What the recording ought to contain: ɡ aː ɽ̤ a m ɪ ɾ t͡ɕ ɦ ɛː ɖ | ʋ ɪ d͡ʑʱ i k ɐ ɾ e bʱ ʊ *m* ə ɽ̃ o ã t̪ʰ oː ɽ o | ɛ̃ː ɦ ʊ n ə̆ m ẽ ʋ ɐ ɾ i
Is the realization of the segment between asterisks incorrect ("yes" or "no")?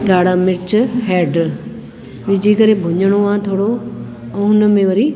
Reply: yes